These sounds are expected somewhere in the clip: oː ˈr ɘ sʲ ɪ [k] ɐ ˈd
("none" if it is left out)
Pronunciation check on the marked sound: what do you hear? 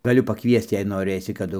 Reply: k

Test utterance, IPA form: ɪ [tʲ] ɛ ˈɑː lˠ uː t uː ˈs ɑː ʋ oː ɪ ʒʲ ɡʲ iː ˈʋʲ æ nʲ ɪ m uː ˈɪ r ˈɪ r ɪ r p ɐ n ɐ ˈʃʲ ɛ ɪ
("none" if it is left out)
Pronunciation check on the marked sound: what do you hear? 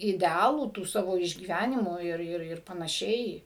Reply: dʲ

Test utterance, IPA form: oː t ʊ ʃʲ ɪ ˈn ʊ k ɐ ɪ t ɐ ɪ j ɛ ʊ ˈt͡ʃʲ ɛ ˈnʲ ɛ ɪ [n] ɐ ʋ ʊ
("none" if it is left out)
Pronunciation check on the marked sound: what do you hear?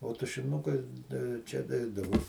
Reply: d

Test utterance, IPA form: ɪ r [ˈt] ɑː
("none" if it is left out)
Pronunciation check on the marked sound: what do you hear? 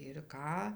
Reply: k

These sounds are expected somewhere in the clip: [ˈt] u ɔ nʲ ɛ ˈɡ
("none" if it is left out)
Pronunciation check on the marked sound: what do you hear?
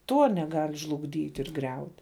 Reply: t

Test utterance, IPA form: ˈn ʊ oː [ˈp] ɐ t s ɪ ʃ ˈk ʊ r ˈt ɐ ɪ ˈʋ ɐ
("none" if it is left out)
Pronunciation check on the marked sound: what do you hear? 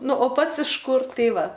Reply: p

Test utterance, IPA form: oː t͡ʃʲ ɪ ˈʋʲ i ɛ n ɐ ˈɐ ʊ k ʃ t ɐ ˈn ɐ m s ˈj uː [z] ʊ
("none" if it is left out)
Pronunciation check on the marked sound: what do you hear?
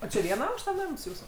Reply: s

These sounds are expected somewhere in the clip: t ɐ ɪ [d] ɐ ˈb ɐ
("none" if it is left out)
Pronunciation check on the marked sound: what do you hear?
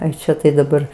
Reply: d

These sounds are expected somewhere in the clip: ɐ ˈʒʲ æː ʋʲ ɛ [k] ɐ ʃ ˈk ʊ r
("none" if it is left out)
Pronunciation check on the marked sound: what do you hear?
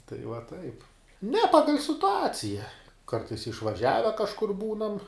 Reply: k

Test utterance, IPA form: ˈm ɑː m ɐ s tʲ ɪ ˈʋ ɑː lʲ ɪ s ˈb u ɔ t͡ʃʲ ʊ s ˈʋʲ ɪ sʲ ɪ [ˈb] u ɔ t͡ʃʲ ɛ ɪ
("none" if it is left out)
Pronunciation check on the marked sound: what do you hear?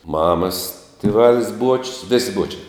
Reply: b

